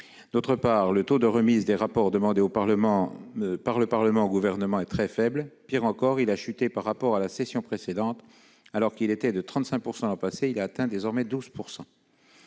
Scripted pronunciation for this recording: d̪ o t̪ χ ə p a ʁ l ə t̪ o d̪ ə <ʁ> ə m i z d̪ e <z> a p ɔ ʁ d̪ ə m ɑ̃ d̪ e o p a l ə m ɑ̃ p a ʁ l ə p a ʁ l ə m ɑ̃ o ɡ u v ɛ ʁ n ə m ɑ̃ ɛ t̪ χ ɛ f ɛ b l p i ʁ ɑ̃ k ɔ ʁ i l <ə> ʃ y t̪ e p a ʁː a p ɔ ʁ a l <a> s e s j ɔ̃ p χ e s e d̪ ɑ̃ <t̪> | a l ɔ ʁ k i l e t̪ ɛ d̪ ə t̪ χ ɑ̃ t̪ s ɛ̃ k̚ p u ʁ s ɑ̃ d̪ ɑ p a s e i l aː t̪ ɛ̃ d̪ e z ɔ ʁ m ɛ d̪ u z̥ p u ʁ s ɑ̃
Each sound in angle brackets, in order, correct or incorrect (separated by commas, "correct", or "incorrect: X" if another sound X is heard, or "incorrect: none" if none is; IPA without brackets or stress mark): correct, incorrect: ʁ, incorrect: a, correct, correct